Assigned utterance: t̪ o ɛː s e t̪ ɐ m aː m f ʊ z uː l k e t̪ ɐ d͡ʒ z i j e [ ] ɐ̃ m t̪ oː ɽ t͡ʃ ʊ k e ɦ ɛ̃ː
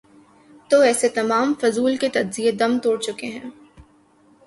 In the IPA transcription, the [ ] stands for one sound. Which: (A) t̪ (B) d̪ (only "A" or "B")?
B